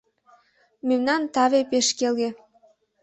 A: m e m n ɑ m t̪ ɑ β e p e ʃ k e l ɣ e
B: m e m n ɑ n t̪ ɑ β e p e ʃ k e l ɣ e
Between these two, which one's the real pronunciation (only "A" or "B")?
B